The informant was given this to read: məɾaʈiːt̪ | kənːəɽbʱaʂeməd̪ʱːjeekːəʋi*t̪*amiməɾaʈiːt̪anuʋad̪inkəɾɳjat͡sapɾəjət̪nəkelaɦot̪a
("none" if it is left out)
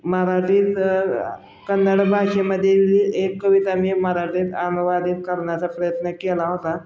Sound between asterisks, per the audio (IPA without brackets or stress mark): t̪